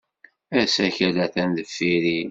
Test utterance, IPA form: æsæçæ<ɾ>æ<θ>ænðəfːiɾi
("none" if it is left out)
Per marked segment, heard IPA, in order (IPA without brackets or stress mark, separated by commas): l, θ